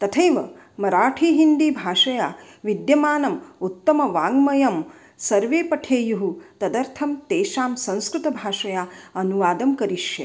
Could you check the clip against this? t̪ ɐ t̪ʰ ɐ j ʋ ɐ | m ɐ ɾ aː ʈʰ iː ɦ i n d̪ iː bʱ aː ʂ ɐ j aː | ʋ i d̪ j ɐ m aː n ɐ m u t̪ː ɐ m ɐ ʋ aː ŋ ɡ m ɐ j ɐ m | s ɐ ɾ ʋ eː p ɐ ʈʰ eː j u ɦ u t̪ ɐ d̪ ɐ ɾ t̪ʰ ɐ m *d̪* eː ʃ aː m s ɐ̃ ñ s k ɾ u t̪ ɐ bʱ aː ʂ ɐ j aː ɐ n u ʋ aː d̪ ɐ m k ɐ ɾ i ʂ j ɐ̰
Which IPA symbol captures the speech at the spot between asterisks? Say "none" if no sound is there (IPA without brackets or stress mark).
t̪